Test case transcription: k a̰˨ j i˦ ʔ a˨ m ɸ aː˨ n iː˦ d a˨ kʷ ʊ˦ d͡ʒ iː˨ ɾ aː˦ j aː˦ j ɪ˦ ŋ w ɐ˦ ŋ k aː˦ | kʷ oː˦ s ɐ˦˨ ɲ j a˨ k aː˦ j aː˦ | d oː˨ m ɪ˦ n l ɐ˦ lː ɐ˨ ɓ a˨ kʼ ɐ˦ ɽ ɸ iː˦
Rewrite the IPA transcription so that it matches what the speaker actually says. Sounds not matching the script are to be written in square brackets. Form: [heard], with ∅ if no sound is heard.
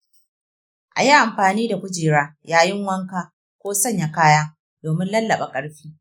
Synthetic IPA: [ʔ] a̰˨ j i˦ ʔ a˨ m ɸ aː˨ n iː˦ d a˨ kʷ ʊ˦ d͡ʒ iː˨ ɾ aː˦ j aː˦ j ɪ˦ ŋ w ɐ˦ ŋ k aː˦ | kʷ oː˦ s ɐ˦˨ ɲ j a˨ k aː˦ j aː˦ | d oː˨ m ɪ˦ n l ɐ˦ lː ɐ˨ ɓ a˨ kʼ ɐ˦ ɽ ɸ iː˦